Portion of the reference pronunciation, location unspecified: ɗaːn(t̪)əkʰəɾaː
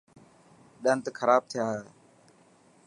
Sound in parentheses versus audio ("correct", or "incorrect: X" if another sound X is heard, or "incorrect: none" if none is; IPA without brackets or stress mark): correct